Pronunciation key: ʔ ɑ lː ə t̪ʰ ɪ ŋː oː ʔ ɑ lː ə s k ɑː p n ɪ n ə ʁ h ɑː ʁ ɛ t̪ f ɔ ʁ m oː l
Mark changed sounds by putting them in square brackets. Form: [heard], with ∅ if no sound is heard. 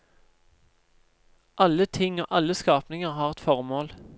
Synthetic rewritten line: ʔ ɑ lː ə t̪ʰ ɪ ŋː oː ʔ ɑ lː ə s k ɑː p n ɪ [ŋ] ə ʁ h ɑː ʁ ɛ t̪ f ɔ ʁ m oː l